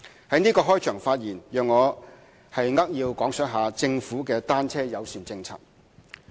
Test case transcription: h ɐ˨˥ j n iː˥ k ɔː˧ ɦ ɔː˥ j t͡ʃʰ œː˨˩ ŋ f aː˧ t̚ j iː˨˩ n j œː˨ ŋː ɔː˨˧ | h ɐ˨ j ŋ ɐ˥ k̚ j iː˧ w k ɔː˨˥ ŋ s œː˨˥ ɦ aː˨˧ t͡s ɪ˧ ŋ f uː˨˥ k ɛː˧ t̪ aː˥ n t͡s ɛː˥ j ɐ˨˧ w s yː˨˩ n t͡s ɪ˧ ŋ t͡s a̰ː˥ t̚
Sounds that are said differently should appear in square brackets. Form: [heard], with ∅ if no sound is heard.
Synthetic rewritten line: h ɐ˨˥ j n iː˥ k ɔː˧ ɦ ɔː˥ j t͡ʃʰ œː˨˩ ŋ f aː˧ t̚ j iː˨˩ n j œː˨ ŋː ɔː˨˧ | h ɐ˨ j ŋ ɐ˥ k̚ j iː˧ w k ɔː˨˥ ŋ s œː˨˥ ɦ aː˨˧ t͡s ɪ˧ ŋ f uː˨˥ k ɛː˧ t̪ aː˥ n [t͡sʰ] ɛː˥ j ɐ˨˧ w s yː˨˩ n t͡s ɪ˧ ŋ [t͡sʰ] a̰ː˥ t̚

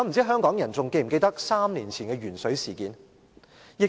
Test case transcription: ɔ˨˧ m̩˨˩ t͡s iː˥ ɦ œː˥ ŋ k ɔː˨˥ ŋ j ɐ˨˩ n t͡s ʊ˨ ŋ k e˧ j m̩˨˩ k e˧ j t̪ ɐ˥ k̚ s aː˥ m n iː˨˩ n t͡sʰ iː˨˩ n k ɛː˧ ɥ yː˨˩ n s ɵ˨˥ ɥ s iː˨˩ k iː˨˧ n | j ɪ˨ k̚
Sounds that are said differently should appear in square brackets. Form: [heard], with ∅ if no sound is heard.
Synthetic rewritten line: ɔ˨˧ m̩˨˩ t͡s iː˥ ɦ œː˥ ŋ k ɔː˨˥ ŋ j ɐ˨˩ n t͡s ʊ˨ ŋ k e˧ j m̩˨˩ k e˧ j t̪ ɐ˥ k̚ s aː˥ m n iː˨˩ n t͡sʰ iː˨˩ n k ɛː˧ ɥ yː˨˩ n s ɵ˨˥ ɥ s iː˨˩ k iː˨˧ n | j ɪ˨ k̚

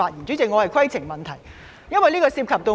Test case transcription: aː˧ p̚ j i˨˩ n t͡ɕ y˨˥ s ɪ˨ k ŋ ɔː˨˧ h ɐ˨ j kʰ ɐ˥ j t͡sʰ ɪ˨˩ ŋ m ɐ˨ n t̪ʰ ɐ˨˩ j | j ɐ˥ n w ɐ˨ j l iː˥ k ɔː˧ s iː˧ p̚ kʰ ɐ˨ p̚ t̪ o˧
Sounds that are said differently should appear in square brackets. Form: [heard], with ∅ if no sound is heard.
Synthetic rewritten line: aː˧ [t̚] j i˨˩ n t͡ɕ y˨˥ [t͡s] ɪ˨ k ŋ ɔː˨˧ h ɐ˨ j kʰ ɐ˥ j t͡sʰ ɪ˨˩ ŋ m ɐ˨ n t̪ʰ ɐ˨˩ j | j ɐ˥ n w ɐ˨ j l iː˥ k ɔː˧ s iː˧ p̚ kʰ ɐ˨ p̚ t̪ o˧

